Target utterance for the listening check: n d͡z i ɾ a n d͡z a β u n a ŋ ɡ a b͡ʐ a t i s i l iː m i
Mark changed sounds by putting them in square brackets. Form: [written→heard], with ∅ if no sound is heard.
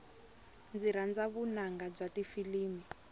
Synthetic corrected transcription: n d͡z i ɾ a n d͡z a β u n a ŋ ɡ a b͡ʐ a t i [s→f] i l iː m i